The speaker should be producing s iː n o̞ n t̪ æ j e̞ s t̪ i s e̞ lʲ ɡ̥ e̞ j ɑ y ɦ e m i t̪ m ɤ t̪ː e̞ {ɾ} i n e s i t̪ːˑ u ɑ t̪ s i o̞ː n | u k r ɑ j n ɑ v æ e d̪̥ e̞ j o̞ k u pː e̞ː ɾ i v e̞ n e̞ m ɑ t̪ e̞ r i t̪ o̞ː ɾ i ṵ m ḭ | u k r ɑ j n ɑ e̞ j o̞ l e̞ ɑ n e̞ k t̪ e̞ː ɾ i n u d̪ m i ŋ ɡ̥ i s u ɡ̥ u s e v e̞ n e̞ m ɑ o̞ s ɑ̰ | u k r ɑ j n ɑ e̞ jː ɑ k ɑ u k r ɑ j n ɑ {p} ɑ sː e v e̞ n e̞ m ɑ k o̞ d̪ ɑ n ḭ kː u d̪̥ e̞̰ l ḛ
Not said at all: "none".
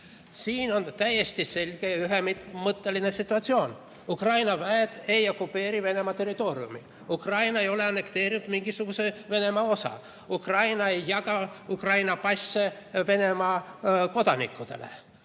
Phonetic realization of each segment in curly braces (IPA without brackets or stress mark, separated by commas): l, p